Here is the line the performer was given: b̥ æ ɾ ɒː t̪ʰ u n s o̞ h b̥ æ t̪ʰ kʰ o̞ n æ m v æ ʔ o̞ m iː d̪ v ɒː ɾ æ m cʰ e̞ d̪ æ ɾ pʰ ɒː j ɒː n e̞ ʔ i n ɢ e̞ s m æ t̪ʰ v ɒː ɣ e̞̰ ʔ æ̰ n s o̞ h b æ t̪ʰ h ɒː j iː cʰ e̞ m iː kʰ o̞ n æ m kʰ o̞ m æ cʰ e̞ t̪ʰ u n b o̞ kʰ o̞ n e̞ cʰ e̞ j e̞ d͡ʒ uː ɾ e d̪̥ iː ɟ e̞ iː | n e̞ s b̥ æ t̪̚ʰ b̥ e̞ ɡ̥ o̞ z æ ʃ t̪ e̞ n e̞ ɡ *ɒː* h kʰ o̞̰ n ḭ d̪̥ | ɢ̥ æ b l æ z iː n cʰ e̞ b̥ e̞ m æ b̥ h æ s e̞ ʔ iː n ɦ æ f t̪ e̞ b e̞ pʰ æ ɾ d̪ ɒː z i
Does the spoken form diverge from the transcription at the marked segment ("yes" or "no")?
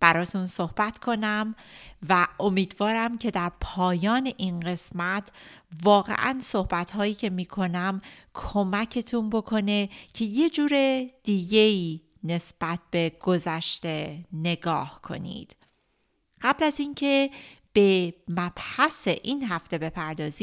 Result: no